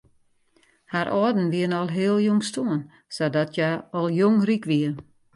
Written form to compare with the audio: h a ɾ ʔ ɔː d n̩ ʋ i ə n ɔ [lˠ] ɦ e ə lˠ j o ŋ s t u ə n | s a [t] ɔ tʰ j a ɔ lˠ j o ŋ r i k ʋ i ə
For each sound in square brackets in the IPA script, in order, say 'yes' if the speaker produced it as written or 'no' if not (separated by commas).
yes, no